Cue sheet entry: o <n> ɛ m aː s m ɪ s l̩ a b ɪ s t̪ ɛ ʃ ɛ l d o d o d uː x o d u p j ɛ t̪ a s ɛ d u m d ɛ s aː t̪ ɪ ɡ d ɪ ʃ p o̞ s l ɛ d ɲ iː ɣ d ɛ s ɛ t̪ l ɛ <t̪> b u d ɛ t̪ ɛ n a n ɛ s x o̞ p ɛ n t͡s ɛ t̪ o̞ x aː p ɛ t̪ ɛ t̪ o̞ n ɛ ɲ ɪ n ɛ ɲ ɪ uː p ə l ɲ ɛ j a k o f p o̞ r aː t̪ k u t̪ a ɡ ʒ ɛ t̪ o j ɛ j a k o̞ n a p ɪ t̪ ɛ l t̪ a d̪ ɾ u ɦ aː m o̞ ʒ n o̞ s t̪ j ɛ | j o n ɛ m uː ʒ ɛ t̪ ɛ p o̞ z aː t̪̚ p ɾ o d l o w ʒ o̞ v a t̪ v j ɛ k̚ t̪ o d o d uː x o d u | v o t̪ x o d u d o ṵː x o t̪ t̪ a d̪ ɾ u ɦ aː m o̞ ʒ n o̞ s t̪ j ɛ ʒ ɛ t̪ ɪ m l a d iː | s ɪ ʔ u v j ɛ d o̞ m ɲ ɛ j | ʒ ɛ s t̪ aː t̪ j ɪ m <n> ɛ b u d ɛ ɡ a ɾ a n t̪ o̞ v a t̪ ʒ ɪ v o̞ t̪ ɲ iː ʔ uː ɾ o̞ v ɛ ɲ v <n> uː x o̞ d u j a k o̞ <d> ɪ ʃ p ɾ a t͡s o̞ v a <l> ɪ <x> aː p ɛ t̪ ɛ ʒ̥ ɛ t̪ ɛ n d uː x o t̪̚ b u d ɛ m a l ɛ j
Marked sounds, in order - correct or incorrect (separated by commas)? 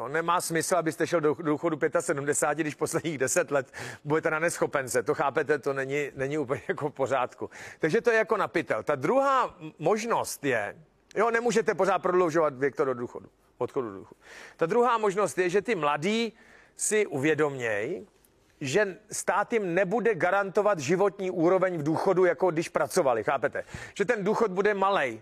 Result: correct, correct, correct, incorrect, correct, correct, correct